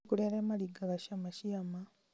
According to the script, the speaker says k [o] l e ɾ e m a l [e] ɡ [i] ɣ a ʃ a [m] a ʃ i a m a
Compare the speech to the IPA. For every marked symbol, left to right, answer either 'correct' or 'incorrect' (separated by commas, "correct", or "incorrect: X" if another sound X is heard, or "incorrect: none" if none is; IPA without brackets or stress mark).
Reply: incorrect: u, incorrect: i, incorrect: a, correct